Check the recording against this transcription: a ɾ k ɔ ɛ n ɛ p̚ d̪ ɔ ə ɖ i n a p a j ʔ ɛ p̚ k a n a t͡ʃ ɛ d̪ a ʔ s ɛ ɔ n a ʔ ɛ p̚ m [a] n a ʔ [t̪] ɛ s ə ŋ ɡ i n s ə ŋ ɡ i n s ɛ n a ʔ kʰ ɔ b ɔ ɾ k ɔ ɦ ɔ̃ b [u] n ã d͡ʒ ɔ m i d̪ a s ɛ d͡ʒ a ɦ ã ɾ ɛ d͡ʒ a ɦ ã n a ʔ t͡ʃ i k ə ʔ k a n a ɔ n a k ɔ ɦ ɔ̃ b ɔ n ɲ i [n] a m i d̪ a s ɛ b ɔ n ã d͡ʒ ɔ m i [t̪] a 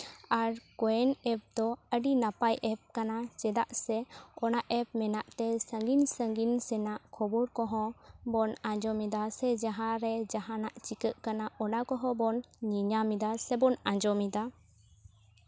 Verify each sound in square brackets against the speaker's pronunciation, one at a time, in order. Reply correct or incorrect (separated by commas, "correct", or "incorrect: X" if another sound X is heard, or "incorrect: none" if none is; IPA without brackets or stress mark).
incorrect: ɛ, correct, incorrect: ɔ, incorrect: ɲ, incorrect: d̪